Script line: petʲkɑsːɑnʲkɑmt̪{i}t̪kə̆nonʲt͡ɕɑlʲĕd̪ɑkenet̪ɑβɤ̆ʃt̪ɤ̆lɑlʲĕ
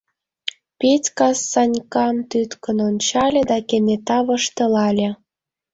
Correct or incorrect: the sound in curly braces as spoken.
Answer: incorrect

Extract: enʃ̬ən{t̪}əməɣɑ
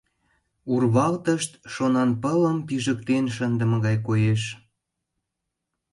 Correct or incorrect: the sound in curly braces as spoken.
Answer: incorrect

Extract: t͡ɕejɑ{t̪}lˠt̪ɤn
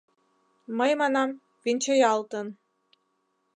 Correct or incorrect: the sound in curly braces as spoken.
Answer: incorrect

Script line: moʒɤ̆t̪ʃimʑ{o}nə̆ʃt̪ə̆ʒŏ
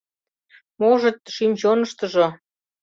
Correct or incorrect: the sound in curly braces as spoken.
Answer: correct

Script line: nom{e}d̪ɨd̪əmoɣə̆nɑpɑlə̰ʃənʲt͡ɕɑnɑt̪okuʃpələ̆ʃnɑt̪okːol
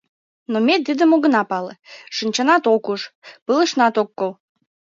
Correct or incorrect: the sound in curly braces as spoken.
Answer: correct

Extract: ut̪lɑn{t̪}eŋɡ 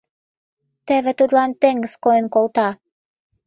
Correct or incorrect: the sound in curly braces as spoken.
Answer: correct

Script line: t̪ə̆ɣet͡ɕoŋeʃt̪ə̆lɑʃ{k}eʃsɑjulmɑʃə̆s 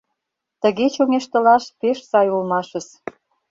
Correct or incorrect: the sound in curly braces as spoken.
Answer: incorrect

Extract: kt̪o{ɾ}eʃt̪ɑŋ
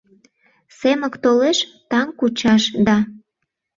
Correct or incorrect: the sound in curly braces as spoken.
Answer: incorrect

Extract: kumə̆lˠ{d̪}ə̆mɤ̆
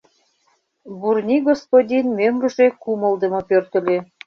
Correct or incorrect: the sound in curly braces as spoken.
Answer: correct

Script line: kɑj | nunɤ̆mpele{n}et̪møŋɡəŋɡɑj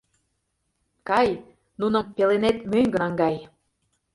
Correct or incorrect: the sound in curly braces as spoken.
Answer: correct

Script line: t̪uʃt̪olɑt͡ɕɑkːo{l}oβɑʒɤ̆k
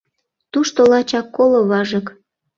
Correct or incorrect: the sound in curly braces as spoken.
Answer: correct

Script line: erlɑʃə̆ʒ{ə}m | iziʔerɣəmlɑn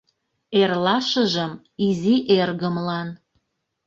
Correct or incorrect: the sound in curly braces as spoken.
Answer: correct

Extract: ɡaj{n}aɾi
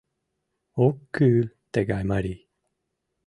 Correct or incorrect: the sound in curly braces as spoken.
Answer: incorrect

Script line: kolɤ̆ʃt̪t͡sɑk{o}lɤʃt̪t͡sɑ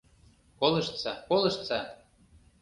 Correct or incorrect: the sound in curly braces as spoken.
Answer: correct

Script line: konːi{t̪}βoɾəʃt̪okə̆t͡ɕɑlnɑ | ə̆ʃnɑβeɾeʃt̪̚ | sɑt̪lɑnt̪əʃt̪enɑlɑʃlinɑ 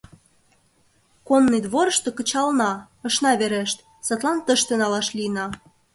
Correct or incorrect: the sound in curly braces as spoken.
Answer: incorrect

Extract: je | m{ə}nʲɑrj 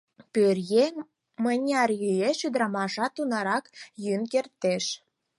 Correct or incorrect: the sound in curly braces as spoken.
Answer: correct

